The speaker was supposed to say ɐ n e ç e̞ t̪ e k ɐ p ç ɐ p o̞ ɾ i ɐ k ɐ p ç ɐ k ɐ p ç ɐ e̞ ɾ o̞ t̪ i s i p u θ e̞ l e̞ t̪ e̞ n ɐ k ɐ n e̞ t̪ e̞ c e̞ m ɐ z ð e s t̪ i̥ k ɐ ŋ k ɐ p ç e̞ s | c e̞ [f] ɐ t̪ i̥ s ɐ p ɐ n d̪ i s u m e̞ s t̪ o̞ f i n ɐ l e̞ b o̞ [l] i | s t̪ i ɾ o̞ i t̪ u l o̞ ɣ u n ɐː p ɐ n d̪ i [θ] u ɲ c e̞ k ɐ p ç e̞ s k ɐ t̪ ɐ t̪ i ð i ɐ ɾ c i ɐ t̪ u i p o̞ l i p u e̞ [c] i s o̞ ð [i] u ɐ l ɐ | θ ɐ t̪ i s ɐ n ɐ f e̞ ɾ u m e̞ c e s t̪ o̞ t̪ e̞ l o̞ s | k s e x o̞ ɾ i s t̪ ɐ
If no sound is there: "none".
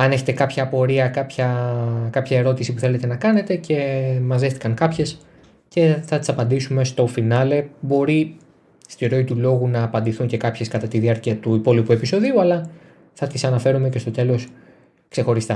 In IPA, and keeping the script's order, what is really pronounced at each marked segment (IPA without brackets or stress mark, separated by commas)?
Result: θ, ɾ, θ, p, i